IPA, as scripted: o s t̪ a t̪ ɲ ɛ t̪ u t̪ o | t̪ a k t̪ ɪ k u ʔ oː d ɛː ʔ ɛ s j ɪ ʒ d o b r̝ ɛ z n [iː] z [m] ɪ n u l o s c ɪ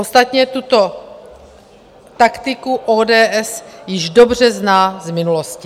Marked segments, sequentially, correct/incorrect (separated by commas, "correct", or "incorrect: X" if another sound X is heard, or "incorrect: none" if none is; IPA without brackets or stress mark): incorrect: aː, correct